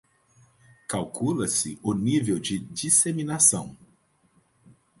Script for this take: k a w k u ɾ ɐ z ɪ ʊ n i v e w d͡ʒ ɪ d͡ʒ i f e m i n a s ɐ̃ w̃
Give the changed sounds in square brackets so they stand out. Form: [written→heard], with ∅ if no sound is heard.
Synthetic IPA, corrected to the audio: k a w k u [ɾ→l] ɐ [z→s] ɪ ʊ n i v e w d͡ʒ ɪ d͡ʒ i [f→s] e m i n a s ɐ̃ w̃